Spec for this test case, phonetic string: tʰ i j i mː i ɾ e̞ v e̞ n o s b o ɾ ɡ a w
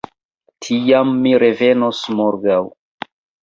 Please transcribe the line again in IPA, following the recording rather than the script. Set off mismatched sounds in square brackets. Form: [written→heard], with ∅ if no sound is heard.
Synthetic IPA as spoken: tʰ i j [i→a] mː i ɾ e̞ v e̞ n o s [b→m] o ɾ ɡ a w

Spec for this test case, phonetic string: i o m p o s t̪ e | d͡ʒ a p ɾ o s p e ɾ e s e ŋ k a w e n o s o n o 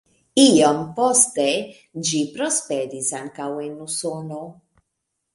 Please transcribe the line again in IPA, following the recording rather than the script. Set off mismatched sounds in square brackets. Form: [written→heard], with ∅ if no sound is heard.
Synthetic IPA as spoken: i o m p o s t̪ e | d͡ʒ [a→i] p ɾ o s p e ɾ [e→i] s [e→a] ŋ k a w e n [o→u] s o n o

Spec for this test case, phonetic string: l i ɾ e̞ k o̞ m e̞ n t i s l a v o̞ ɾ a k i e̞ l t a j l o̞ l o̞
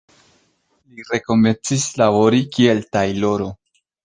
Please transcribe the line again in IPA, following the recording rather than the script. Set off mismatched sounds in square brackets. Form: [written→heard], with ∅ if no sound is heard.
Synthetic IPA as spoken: l i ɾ e̞ k o̞ m e̞ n [t→t͡s] i s l a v o̞ ɾ [a→i] k i e̞ l t a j l o̞ [l→ɾ] o̞

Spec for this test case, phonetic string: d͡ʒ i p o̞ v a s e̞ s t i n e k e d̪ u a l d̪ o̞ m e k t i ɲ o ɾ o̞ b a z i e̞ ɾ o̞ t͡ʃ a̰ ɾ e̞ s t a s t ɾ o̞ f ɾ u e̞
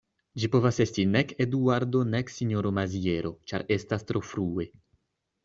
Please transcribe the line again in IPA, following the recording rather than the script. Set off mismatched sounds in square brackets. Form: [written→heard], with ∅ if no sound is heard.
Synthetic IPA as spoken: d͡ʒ i p o̞ v a s e̞ s t i n e k e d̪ u a [l→ɾ] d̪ o̞ [m→n] e k [t→s] i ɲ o ɾ o̞ [b→m] a z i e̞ ɾ o̞ t͡ʃ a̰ ɾ e̞ s t a s t ɾ o̞ f ɾ u e̞

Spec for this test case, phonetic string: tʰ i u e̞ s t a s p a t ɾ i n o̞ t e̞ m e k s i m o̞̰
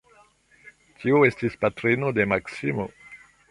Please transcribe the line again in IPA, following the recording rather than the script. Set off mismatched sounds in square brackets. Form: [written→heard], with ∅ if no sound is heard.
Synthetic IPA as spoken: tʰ i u e̞ s t [a→i] s p a t ɾ i n o̞ [t→d] e̞ m [e→a] k s i m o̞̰

